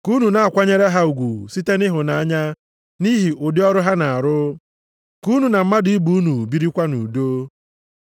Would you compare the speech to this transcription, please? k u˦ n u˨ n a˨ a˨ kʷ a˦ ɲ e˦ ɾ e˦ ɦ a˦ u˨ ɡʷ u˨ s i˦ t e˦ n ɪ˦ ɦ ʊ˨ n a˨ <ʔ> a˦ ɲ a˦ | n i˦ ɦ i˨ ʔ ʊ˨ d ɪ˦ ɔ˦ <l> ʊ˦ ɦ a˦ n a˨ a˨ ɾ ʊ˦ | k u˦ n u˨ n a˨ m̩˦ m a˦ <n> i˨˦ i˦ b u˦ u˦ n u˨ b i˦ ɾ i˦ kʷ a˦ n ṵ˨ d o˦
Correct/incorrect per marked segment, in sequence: incorrect, incorrect, incorrect

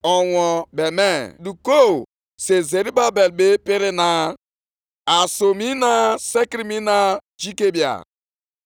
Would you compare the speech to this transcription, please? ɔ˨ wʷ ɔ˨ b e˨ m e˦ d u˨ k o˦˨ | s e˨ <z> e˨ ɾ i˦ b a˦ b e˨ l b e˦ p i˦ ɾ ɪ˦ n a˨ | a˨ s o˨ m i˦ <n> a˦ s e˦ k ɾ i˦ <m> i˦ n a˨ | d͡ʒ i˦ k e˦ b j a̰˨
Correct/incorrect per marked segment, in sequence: correct, correct, correct

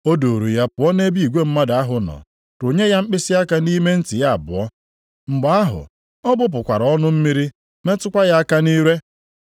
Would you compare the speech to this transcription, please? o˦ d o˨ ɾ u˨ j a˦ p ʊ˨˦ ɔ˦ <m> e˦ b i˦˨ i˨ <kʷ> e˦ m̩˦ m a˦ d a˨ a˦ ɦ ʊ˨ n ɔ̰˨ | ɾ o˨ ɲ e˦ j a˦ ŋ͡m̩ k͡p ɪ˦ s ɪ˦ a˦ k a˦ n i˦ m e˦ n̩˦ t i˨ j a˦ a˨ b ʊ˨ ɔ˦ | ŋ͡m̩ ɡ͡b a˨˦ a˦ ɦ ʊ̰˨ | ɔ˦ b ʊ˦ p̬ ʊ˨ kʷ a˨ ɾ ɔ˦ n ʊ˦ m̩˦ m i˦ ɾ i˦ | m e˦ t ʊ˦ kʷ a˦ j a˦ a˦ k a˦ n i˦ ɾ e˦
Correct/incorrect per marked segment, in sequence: incorrect, incorrect

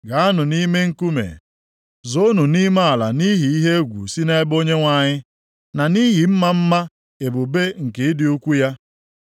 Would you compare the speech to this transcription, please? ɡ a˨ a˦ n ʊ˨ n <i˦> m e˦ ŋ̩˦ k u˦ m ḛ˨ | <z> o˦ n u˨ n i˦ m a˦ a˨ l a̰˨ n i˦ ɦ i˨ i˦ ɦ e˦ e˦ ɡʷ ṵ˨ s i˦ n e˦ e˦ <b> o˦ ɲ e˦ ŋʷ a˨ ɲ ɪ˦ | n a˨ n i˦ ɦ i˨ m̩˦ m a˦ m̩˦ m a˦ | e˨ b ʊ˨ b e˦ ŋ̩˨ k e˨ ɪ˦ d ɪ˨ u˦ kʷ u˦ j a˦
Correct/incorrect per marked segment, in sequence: correct, correct, correct

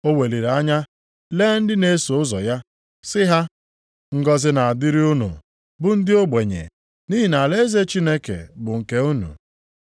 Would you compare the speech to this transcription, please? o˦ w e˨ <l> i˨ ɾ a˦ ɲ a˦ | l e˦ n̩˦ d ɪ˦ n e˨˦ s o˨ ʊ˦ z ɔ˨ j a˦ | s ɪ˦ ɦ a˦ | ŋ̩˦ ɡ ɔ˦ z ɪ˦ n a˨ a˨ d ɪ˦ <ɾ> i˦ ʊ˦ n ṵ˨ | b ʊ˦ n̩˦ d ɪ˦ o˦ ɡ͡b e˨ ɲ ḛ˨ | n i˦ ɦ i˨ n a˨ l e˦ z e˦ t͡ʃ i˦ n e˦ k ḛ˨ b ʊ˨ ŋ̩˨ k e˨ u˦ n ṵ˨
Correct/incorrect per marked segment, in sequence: correct, correct

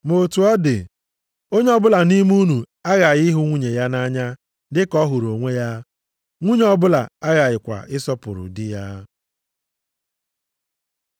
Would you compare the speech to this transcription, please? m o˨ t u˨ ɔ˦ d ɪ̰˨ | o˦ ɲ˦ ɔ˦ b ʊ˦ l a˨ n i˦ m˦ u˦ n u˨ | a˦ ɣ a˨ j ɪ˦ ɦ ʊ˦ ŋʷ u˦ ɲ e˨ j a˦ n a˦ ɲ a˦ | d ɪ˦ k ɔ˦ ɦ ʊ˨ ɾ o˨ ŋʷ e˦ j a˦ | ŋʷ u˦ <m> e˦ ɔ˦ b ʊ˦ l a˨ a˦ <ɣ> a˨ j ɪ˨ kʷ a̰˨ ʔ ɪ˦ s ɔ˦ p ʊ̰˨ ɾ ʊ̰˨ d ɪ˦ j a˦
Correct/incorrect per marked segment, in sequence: incorrect, correct

